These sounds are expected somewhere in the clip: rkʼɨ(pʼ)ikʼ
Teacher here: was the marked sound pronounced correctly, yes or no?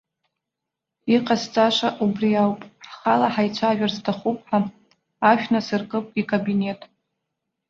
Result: yes